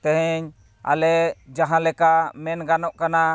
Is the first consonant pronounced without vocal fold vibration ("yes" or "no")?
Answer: yes